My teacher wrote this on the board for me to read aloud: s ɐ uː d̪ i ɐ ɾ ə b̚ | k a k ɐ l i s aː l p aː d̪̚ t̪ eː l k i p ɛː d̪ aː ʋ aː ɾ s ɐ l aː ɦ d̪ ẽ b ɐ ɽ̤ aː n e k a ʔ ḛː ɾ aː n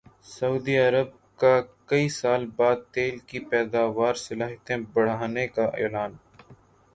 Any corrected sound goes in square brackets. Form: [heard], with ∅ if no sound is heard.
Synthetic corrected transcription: s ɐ uː d̪ i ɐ ɾ ə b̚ | k a k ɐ [∅] i s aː l [b] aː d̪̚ t̪ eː l k i p ɛː d̪ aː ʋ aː ɾ s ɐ l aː ɦ [t̪] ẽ b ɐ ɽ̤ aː n e k a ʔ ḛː [l] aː n

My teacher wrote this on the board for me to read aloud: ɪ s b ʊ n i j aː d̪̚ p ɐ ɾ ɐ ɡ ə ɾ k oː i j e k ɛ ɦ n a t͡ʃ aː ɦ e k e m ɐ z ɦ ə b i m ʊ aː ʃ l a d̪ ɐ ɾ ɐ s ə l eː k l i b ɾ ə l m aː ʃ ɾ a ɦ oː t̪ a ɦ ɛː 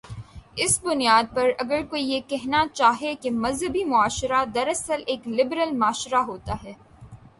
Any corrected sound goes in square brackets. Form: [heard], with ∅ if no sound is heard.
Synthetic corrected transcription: ɪ s b ʊ n i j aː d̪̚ p ɐ ɾ ɐ ɡ ə ɾ k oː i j e k ɛ ɦ n a t͡ʃ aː ɦ e k e m ɐ z ɦ ə b i m ʊ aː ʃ [ɾ] a d̪ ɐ ɾ ɐ s ə l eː k l [ɪ] b ɾ ə l m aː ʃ ɾ a ɦ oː t̪ a ɦ ɛː

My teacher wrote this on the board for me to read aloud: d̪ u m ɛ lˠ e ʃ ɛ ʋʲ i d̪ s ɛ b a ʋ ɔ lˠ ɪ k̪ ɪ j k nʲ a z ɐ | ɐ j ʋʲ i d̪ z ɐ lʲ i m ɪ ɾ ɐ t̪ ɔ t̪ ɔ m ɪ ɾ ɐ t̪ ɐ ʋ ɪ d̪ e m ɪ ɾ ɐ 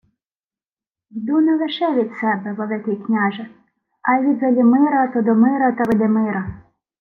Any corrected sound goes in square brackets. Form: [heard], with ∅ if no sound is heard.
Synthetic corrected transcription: d̪ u [n] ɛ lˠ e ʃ ɛ ʋʲ i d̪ s ɛ b [ɛ] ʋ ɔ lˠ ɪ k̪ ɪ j k nʲ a [ʒ] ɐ | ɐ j ʋʲ i d̪ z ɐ lʲ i m ɪ ɾ ɐ t̪ ɔ [d̪] ɔ m ɪ ɾ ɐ t̪ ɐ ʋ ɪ d̪ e m ɪ ɾ ɐ

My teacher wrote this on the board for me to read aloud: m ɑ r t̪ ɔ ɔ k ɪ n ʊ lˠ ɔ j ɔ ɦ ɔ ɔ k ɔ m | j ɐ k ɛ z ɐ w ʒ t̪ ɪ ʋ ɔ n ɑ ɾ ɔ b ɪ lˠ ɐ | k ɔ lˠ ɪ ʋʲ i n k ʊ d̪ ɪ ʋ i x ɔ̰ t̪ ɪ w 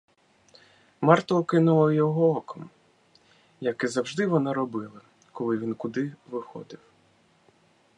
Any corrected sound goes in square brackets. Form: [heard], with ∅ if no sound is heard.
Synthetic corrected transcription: m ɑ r t̪ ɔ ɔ k ɪ n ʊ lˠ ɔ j ɔ ɦ ɔ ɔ k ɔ m | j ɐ k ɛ z ɐ w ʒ [d̪] ɪ ʋ ɔ n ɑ ɾ ɔ b ɪ lˠ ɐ | k ɔ lˠ ɪ ʋʲ i n k ʊ d̪ ɪ ʋ [ɪ] x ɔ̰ [d̪] ɪ w

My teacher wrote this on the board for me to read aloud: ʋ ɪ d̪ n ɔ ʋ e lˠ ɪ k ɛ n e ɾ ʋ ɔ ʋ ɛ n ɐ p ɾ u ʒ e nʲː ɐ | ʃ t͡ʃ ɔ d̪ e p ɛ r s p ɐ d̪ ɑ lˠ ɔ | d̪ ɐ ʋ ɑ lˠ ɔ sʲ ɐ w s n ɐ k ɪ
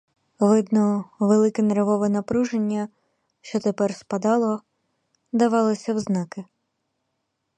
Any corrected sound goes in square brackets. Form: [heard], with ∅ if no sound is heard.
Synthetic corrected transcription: ʋ ɪ d̪ n ɔ ʋ e lˠ ɪ k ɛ n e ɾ ʋ ɔ ʋ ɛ n ɐ p ɾ u ʒ e nʲː ɐ | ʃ t͡ʃ ɔ [t̪] e p ɛ r s p ɐ d̪ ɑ lˠ ɔ | d̪ ɐ ʋ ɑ lˠ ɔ sʲ ɐ w [z] n [ɑ] k ɪ

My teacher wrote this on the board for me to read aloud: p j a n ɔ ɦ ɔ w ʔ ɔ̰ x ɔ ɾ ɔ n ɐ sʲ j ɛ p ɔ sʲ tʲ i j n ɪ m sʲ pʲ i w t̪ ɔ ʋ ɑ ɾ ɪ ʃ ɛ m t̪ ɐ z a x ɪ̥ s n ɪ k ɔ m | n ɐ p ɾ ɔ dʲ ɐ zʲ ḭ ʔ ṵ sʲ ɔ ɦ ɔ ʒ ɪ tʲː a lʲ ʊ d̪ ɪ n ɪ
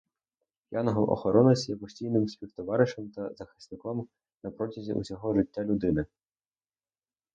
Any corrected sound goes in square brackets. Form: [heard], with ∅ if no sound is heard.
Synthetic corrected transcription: p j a n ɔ ɦ ɔ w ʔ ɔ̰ x ɔ ɾ ɔ n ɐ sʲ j ɛ p ɔ sʲ tʲ i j n ɪ m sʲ pʲ i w t̪ ɔ ʋ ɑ ɾ ɪ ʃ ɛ m t̪ ɐ z [ɐ] x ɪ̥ s n ɪ k ɔ m | n ɐ p ɾ ɔ [tʲ] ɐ zʲ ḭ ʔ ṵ sʲ ɔ ɦ ɔ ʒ ɪ tʲː a lʲ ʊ d̪ ɪ n ɪ

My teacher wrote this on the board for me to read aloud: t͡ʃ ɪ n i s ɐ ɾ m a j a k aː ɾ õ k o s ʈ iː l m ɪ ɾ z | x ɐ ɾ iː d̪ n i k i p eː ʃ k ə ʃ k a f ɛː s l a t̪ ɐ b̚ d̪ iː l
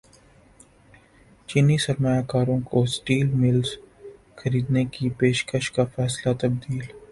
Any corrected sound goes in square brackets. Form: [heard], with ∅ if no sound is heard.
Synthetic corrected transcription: t͡ʃ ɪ n i s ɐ ɾ m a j a k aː ɾ õ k o s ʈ iː l m ɪ [l] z | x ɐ ɾ iː d̪ n [e] k i p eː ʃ k ə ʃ k a f ɛː s l a t̪ ɐ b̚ d̪ iː l

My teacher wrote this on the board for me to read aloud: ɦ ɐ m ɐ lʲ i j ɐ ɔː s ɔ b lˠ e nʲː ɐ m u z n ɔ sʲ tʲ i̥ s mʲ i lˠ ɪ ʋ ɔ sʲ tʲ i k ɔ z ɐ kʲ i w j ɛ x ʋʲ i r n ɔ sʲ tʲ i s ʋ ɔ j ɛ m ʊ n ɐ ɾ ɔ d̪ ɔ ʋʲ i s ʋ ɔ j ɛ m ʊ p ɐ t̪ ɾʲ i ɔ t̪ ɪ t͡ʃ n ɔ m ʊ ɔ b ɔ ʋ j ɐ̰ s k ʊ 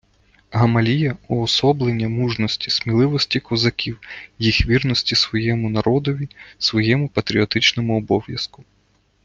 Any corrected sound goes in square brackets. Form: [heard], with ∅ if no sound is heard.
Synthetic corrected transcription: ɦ ɐ m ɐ lʲ i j ɐ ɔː s ɔ b lˠ e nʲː ɐ m u [ʒ] n ɔ sʲ tʲ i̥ s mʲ i lˠ ɪ ʋ ɔ sʲ tʲ i k ɔ z ɐ kʲ i w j [i] x ʋʲ i r n ɔ sʲ tʲ i s ʋ ɔ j ɛ m ʊ n ɐ ɾ ɔ d̪ ɔ ʋʲ i s ʋ ɔ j ɛ m ʊ p ɐ t̪ ɾʲ i ɔ t̪ ɪ t͡ʃ n ɔ m ʊ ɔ b ɔ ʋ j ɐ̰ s k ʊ

